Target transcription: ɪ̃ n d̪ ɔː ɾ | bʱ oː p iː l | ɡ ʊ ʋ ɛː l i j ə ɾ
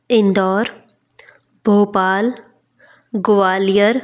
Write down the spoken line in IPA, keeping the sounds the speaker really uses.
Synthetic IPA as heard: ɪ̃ n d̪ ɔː ɾ | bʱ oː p aː l | ɡ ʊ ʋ aː l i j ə ɾ